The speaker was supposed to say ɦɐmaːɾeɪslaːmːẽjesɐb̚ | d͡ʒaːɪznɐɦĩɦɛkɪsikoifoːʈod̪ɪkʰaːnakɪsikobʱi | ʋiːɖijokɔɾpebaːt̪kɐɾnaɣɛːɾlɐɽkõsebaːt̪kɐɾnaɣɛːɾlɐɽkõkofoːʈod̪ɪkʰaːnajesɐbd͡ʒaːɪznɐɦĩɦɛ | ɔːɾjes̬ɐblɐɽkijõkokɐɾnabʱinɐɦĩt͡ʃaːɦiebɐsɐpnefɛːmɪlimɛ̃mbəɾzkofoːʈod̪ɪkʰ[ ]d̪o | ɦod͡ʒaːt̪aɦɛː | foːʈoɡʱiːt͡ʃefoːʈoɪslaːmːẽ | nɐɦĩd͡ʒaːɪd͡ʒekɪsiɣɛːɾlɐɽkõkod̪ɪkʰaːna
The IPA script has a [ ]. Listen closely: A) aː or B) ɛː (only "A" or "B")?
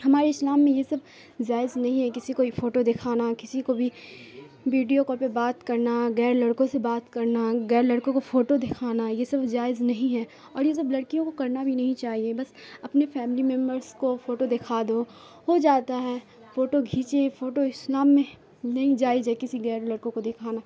A